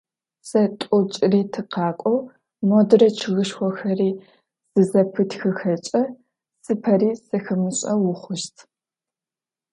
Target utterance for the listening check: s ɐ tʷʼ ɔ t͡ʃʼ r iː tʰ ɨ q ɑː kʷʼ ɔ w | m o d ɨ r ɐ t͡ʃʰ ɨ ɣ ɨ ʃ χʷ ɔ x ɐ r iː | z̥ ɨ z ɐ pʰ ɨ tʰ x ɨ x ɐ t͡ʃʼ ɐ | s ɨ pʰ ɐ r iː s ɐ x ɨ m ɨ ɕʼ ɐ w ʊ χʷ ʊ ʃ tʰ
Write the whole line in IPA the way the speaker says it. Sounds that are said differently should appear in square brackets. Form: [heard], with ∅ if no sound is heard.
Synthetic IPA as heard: s ɐ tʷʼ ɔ t͡ʃʼ r iː tʰ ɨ q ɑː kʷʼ ɔ w | m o d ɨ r ɐ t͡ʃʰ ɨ ɣ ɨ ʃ [xʷ] ɔ x ɐ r iː | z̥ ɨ z ɐ pʰ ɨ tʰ x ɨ x ɐ t͡ʃʼ ɐ | s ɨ pʰ ɐ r iː s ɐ x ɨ m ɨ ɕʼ ɐ w ʊ χʷ ʊ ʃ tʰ